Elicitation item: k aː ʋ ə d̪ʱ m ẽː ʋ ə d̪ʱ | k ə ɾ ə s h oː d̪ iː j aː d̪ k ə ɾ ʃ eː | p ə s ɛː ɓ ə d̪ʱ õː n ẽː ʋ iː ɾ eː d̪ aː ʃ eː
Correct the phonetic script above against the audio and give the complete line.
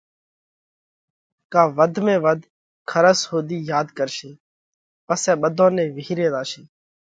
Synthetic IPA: k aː ʋ ə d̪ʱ m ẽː ʋ ə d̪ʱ | kʰ ə ɾ ə s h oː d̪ iː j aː d̪ k ə ɾ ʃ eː | p ə s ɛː ɓ ə d̪ʱ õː n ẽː ʋ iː ɾ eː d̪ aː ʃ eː